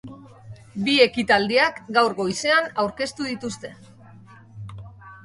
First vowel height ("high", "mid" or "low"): high